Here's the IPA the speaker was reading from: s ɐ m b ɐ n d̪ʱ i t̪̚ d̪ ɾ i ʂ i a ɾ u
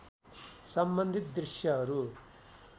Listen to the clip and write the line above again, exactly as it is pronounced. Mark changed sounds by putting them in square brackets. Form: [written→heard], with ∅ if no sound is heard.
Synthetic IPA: s ɐ m b ɐ n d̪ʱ i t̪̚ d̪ ɾ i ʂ [i→j] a ɾ u